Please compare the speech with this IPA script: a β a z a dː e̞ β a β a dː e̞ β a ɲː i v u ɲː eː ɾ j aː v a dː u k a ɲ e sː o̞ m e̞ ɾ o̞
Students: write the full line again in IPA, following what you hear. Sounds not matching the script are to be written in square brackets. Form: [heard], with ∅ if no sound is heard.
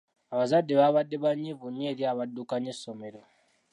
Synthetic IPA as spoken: a β a z a dː e̞ β a β a dː e̞ β a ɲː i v u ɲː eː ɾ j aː [β] a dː u k a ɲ e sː o̞ m e̞ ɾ o̞